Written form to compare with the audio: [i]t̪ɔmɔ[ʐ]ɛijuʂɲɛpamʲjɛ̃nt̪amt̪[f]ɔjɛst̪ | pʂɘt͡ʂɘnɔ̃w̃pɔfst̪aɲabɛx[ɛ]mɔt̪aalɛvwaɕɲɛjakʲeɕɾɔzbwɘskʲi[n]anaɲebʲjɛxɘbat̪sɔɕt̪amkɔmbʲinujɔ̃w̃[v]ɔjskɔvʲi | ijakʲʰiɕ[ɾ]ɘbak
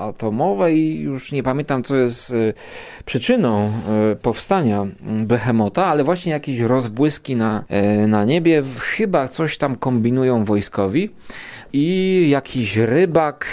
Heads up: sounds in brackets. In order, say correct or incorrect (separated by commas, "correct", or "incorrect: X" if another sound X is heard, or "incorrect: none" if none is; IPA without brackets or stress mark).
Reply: incorrect: a, incorrect: v, incorrect: s, correct, correct, correct, correct